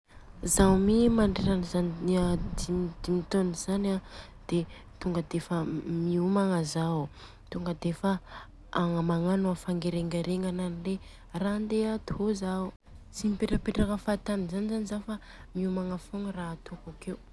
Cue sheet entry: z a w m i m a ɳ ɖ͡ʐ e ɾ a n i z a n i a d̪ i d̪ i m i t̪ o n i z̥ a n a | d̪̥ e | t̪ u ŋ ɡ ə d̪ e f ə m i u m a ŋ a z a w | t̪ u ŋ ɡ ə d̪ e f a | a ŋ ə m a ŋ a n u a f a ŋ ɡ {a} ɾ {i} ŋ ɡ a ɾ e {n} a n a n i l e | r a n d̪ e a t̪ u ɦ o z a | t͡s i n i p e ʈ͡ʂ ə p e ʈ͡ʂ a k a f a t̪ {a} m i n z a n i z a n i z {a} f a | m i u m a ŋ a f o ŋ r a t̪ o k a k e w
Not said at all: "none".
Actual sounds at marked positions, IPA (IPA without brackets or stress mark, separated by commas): e, e, ŋ, a, a